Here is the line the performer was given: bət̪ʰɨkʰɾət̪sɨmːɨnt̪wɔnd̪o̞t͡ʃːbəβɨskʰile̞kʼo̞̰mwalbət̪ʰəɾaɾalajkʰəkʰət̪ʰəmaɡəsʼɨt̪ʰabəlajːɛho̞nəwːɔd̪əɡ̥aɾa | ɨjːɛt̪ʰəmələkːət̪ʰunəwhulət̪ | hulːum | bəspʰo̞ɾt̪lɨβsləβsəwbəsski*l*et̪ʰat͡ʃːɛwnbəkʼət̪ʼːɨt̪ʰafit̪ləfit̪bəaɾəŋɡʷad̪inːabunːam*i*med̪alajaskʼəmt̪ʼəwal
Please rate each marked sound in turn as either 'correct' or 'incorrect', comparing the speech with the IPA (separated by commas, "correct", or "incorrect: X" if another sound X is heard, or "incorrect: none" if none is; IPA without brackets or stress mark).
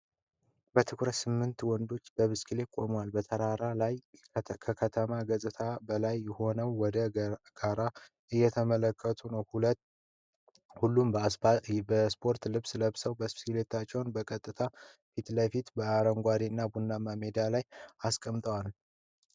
correct, incorrect: a